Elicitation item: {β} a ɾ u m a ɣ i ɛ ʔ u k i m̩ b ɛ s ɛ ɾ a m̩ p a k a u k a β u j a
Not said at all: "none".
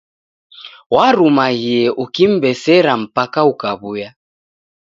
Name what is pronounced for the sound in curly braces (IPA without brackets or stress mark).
w